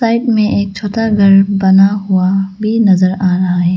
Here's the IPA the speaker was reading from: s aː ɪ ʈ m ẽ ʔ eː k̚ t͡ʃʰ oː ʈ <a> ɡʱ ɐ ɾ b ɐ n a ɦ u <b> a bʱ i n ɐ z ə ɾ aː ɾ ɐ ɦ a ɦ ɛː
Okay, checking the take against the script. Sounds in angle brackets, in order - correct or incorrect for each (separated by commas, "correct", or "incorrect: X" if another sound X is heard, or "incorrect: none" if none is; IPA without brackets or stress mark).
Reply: correct, incorrect: none